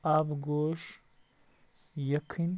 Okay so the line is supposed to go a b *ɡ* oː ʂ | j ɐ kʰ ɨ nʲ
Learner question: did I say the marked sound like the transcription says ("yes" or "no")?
yes